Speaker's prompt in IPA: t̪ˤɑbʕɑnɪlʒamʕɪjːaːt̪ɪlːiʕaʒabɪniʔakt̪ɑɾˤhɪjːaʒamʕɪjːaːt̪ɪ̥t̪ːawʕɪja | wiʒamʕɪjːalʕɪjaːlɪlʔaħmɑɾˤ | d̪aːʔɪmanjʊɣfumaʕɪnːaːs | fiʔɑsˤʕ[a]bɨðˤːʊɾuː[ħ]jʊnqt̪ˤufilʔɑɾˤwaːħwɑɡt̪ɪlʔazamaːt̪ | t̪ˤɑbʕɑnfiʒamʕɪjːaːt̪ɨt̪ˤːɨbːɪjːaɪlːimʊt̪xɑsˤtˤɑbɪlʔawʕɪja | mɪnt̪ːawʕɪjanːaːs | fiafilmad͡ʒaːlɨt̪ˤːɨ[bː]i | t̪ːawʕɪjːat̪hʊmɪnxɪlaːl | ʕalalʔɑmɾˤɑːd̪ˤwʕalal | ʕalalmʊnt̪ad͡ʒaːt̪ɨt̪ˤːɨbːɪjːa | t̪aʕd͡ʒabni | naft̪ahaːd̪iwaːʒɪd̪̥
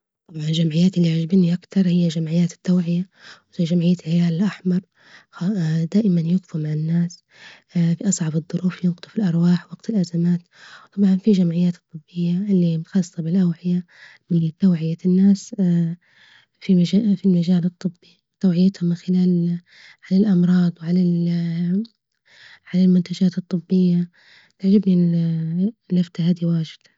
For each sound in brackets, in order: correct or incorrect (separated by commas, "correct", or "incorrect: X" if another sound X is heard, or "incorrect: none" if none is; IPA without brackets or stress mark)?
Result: incorrect: ɑ, incorrect: f, correct